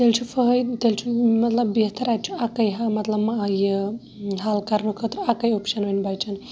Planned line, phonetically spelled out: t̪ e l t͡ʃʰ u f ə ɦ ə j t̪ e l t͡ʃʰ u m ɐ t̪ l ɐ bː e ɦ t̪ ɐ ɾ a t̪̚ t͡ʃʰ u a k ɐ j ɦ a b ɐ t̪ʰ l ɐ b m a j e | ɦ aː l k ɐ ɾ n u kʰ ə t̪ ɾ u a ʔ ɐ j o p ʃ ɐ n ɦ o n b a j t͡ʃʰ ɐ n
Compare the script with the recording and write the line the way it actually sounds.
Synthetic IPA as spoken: t̪ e l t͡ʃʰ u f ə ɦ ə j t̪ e l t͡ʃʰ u m ɐ t̪ l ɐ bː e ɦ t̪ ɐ ɾ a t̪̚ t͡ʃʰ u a k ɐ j ɦ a m ɐ t̪ l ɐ b m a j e | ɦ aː l k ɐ ɾ n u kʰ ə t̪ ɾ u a k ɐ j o p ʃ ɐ n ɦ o n b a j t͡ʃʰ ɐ n